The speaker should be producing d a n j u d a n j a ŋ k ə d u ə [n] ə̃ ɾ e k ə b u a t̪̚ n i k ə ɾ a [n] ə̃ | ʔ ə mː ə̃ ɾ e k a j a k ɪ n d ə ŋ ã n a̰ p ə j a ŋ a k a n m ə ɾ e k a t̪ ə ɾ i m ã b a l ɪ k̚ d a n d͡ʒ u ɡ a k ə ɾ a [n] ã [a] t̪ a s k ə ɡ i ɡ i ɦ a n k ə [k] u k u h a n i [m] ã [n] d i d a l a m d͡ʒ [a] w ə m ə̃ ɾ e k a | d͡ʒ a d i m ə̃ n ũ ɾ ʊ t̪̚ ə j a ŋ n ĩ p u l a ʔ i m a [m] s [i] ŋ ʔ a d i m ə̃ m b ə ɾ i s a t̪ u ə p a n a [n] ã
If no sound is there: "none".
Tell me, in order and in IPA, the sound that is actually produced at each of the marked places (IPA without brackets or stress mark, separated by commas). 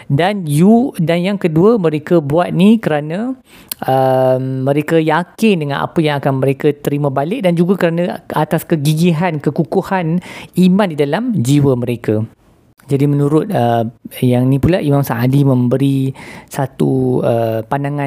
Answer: m, n, n, a, k, m, n, i, m, a, ŋ